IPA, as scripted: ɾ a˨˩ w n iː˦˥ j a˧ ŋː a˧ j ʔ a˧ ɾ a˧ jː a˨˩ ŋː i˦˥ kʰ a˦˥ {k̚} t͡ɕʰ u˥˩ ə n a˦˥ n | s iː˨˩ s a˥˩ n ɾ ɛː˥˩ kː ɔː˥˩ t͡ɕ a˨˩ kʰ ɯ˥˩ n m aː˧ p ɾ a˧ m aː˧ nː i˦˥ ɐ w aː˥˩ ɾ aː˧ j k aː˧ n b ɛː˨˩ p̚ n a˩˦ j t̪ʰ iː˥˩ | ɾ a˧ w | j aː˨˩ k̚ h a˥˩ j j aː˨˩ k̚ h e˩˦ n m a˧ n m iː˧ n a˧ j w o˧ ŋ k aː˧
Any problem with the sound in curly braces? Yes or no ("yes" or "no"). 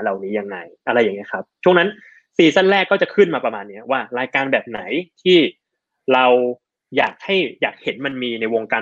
yes